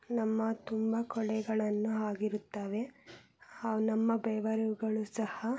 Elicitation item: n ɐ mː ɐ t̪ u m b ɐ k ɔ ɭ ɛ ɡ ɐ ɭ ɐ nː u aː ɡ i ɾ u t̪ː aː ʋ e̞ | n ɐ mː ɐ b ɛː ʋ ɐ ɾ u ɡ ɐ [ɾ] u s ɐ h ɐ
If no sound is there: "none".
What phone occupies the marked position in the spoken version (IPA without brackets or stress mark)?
ɭ